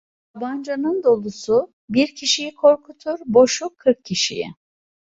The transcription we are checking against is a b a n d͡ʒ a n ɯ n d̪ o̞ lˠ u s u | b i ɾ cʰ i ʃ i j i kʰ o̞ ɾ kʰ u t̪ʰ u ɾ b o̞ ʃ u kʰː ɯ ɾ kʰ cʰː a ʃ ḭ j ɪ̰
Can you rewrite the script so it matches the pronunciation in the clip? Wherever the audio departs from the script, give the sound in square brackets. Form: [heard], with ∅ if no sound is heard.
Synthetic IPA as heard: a b a n d͡ʒ a n ɯ n d̪ o̞ lˠ u s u | b i ɾ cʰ i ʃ i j i kʰ o̞ ɾ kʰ u t̪ʰ u ɾ b o̞ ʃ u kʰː ɯ ɾ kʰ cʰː [i] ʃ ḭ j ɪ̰